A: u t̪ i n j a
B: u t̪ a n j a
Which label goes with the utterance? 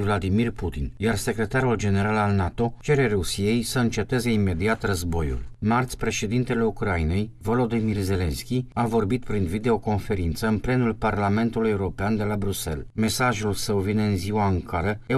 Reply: A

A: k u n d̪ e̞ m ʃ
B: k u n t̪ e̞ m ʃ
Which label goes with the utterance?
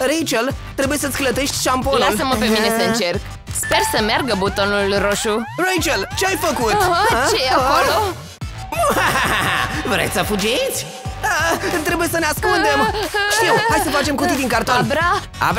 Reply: A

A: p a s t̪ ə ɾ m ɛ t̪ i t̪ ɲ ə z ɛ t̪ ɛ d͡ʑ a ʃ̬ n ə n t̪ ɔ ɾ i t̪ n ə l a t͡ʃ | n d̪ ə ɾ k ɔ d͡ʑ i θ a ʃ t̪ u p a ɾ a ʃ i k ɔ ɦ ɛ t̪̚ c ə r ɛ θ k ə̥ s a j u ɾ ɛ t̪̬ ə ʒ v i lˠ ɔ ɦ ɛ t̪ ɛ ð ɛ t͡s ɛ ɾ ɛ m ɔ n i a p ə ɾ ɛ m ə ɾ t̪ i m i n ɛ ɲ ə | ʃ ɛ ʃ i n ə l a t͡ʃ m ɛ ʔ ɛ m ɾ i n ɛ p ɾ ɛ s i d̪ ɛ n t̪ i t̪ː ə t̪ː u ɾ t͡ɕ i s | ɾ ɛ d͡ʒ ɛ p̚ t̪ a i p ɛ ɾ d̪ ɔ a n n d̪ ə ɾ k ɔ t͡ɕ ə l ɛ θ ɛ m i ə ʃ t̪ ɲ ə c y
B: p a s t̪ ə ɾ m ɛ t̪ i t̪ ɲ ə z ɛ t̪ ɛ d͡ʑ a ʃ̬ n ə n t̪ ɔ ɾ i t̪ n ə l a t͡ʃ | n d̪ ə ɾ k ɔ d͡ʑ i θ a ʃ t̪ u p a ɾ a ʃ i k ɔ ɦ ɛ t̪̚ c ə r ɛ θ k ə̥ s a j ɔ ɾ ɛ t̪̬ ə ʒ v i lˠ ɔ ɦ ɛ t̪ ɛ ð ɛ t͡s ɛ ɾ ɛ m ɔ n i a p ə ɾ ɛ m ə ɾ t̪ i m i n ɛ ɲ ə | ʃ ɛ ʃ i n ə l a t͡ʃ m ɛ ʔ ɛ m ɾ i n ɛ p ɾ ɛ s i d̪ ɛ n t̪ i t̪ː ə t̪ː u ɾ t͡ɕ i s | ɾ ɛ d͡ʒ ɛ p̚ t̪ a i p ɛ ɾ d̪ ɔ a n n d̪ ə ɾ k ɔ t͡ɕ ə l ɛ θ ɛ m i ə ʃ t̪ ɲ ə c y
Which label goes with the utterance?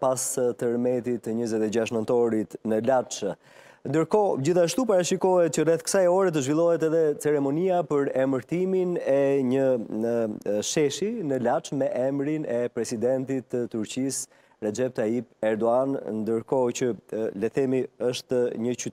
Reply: B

